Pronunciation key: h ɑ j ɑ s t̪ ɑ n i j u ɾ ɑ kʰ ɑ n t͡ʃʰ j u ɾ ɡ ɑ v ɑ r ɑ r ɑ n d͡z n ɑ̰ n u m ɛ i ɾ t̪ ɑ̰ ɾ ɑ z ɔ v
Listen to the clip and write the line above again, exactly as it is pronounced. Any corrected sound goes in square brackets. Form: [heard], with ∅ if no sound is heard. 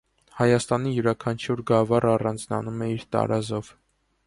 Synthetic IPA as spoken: h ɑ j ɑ s t̪ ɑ n i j u ɾ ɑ kʰ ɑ n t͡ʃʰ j u ɾ ɡ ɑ v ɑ r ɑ r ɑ n d͡z n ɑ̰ n u m ɛ i ɾ t̪ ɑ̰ ɾ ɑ z ɔ v

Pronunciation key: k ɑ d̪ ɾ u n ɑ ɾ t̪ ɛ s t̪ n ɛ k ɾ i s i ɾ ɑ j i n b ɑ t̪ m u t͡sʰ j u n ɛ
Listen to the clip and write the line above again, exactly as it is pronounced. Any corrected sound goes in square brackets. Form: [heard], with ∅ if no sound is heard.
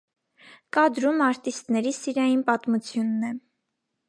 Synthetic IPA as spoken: k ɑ d̪ ɾ u [m] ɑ ɾ t̪ [i] s t̪ n ɛ [∅] ɾ i s i ɾ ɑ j i n [p] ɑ t̪ m u t͡sʰ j u [nː] ɛ

